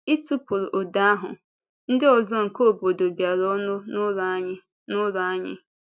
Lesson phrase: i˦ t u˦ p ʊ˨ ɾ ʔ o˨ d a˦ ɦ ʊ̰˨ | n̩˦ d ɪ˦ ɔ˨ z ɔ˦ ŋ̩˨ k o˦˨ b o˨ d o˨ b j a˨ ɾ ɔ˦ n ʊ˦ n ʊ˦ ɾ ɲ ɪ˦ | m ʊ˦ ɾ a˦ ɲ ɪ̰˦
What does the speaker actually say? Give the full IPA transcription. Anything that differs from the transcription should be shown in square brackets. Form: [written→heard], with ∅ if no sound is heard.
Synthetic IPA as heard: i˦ t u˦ p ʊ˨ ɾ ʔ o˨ d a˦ ɦ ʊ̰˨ | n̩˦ d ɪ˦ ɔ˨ z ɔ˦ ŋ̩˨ k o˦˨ b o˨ d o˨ b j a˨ ɾ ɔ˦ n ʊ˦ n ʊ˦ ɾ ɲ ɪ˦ | [m→n] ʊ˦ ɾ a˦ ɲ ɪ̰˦